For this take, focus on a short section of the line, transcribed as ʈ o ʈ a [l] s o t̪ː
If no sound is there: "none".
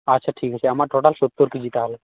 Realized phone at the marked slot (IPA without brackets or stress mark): l